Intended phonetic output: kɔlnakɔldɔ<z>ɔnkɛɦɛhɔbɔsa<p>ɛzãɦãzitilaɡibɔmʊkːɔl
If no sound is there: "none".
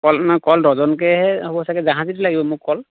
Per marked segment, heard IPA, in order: z, k

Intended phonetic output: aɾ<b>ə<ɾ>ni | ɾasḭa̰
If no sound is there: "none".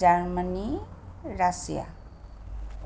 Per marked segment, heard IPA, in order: m, none

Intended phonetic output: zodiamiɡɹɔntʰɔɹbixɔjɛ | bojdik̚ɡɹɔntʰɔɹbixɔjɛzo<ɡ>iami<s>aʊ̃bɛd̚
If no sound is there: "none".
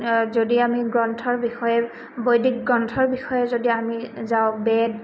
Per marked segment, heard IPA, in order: d, z

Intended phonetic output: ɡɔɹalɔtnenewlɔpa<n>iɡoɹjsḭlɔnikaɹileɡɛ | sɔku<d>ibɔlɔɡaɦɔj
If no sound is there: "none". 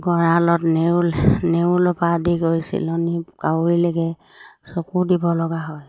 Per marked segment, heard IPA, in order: d, d

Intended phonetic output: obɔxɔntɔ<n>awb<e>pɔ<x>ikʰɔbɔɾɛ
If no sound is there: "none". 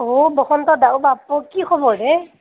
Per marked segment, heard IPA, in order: d, a, k

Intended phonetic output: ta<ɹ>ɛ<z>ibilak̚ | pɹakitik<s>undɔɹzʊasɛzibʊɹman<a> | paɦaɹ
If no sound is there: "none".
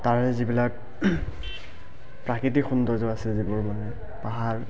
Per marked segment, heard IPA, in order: ɹ, z, x, ɛ

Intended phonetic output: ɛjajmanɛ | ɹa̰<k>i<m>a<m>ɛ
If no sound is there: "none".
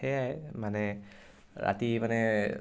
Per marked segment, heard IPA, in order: t, m, n

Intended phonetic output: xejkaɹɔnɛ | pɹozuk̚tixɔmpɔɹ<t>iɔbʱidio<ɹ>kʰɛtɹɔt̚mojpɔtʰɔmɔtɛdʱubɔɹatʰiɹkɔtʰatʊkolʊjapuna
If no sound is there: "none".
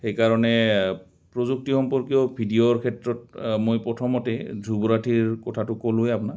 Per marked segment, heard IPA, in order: k, ɹ

